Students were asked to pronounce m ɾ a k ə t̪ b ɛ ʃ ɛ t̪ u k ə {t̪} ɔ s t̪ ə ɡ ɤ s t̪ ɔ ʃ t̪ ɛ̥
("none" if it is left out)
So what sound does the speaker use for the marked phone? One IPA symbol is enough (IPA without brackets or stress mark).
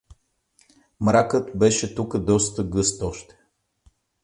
d̪